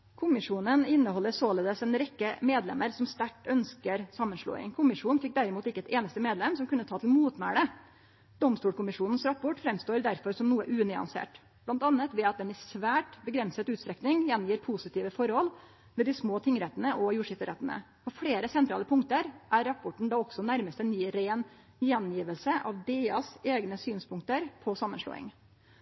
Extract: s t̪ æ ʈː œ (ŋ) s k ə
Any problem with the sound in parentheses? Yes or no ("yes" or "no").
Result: yes